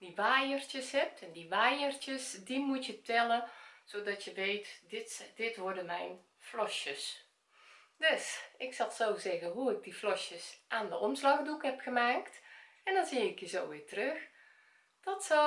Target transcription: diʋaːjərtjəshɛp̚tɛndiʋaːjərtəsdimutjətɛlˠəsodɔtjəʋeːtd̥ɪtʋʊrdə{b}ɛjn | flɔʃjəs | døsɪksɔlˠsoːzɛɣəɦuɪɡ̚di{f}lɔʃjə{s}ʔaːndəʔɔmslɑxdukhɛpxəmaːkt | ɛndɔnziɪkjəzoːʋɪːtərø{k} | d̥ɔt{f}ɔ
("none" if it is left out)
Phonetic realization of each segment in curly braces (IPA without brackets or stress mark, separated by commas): m, f, s, x, s